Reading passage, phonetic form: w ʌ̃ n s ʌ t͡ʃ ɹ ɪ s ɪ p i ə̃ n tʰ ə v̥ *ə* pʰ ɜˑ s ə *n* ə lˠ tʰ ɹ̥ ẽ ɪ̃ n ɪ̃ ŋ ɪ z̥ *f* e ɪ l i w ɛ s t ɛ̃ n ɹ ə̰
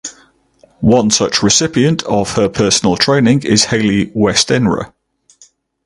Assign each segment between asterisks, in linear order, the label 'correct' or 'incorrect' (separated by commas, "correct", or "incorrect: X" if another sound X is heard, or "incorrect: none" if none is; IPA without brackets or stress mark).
correct, correct, incorrect: h